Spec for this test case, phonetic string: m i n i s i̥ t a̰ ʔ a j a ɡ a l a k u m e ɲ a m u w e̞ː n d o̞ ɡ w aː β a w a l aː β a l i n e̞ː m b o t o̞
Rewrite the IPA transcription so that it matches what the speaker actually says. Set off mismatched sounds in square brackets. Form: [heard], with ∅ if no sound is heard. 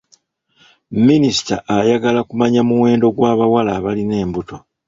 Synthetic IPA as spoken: m i n i s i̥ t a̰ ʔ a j a ɡ a l a k u m [a] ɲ a m u w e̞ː n d o̞ ɡ w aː β a w a l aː β a l i n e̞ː m b [u] t o̞